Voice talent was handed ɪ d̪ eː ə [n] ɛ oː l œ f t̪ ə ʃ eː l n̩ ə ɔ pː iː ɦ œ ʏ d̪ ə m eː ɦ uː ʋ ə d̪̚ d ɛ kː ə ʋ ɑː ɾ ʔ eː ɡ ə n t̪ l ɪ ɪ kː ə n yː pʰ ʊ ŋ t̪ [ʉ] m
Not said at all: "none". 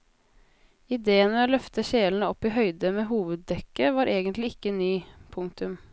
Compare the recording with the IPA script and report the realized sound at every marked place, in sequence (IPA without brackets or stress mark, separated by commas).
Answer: n, ʉ